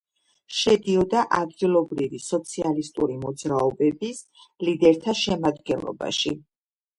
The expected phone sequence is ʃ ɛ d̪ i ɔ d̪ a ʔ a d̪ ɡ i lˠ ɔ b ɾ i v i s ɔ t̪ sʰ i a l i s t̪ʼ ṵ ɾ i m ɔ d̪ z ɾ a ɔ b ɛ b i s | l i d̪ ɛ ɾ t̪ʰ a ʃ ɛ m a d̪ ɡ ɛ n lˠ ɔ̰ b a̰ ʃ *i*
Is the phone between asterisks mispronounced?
no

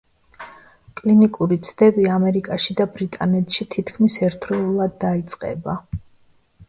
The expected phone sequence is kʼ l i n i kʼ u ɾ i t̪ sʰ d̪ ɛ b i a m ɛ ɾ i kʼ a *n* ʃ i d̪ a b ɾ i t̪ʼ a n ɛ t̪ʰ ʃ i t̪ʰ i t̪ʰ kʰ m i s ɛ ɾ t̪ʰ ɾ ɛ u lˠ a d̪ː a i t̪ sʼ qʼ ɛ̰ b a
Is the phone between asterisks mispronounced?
yes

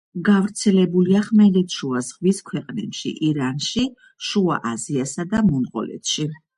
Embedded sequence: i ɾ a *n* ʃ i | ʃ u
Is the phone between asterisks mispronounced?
no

